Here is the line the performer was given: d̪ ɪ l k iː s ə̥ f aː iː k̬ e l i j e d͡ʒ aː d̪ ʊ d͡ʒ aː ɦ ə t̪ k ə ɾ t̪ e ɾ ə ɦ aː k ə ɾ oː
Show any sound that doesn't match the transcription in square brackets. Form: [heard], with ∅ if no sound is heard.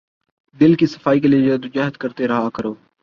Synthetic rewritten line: d̪ ɪ l k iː s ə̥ f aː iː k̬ e l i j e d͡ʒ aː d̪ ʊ d͡ʒ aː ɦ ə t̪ k ə ɾ t̪ e ɾ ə ɦ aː k ə ɾ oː